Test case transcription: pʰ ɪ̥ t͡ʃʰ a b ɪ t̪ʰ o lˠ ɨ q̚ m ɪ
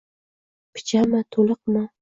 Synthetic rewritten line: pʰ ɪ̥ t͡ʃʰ a m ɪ t̪ʰ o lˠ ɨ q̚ m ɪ